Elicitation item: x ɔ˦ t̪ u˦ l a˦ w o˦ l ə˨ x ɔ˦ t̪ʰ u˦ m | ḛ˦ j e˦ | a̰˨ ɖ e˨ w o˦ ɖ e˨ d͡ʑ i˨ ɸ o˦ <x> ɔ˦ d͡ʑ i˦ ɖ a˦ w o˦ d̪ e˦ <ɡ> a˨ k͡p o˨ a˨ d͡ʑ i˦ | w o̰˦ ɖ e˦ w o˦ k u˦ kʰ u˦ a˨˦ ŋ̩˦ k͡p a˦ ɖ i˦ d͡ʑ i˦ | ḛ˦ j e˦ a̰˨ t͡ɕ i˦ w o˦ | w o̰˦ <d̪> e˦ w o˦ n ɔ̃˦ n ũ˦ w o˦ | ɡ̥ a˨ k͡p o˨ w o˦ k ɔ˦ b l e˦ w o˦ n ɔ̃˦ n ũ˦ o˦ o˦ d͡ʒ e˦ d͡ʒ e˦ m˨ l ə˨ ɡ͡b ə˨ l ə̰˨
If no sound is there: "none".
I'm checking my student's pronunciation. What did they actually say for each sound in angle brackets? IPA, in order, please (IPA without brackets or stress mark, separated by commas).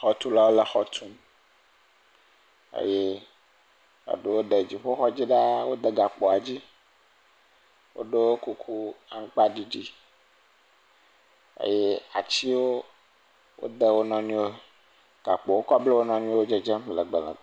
x, ɡ, d̪